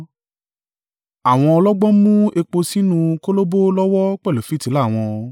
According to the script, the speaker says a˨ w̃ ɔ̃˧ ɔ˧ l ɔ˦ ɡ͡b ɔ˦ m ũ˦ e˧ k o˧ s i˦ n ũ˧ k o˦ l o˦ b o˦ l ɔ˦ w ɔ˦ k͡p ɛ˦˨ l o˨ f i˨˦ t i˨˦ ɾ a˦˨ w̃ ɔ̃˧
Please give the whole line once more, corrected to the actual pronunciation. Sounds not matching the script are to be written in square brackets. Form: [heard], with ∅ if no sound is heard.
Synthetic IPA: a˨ w̃ ɔ̃˧ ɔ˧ l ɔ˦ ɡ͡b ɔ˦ m ũ˦ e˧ [k͡p] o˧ s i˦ n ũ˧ k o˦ l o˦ b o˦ l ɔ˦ w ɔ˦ k͡p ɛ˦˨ l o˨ f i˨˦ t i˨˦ [l] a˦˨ w̃ ɔ̃˧